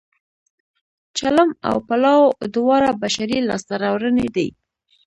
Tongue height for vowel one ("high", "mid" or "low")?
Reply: low